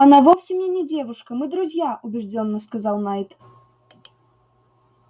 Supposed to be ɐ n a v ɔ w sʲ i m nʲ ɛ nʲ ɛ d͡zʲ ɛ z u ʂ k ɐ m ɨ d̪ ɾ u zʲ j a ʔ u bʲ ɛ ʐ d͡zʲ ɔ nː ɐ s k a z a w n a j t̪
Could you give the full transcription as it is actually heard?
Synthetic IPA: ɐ n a v ɔ w sʲ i m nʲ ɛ nʲ ɛ d͡zʲ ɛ v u ʂ k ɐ m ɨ d̪ ɾ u zʲ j a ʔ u bʲ ɛ ʐ d͡zʲ ɔ nː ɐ s k a z a w n a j t̪